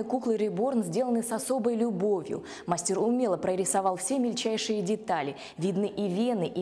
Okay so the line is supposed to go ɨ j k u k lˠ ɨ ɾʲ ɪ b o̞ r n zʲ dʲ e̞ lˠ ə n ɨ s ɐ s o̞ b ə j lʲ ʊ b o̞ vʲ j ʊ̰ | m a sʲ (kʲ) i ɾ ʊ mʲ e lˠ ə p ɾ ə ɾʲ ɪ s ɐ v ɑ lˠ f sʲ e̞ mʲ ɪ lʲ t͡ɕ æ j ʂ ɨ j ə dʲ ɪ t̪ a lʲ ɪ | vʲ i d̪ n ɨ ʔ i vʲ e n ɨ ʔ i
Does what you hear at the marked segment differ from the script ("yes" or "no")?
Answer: yes